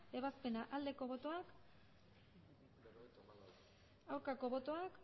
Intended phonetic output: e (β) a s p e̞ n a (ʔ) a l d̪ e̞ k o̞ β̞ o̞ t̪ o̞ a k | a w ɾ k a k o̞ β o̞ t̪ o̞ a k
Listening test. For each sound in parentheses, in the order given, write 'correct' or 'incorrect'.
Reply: correct, correct

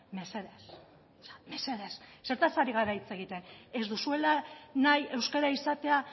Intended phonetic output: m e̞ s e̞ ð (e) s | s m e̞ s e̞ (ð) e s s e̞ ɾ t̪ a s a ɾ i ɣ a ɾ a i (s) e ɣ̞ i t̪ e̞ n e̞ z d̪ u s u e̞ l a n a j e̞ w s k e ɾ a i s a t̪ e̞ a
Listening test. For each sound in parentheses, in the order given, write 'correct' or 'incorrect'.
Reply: correct, correct, incorrect: t͡s

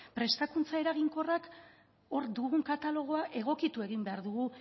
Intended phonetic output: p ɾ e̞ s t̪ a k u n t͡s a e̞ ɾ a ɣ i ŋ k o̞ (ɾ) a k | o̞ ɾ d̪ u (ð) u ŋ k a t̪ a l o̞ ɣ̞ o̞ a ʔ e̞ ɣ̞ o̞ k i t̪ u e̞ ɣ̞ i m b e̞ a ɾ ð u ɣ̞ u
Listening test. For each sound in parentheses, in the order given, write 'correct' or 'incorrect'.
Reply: incorrect: r, incorrect: ɣ

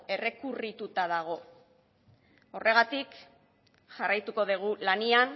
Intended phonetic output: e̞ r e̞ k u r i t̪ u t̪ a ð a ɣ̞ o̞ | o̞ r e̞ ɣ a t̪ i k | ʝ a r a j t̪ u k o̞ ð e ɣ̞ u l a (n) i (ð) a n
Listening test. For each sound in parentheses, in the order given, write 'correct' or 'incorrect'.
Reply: correct, incorrect: none

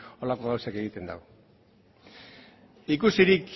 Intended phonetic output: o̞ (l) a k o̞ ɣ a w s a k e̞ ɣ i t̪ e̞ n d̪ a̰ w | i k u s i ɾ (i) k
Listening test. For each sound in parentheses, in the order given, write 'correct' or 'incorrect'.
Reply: correct, correct

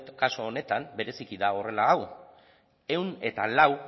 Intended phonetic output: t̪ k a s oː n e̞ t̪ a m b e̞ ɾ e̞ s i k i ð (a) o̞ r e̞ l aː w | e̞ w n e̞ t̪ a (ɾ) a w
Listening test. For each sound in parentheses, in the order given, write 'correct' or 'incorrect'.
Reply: correct, incorrect: l

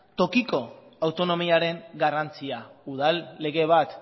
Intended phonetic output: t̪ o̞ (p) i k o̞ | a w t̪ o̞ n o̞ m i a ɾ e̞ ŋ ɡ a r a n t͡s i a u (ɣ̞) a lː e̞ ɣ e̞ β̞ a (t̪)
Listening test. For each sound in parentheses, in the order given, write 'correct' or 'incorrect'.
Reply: incorrect: k, incorrect: ð̞, correct

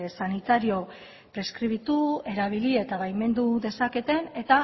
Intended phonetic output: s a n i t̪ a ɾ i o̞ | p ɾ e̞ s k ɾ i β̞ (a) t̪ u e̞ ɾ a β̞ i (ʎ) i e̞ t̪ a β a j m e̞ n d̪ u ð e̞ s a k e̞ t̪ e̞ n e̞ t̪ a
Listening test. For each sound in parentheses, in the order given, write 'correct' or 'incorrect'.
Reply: incorrect: i, incorrect: l

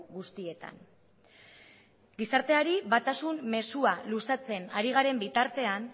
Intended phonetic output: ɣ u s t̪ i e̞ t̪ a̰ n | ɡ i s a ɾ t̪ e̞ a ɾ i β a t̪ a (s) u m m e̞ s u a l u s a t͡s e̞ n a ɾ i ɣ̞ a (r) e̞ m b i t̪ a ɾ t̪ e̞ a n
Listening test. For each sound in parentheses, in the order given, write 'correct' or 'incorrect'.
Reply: correct, incorrect: ɾ

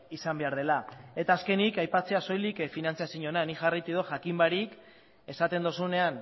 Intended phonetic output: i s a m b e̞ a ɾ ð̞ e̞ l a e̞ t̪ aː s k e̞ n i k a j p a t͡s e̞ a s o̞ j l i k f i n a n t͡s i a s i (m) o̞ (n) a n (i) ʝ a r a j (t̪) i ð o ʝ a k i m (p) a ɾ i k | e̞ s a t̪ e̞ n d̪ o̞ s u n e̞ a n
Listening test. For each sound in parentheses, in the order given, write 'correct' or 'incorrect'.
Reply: incorrect: ɲ, correct, correct, correct, incorrect: b

